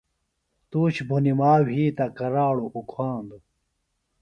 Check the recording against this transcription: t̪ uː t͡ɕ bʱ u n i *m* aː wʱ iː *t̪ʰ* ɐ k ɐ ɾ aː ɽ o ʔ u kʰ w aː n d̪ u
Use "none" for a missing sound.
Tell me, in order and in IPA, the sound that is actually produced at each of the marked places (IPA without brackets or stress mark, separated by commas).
m, t̪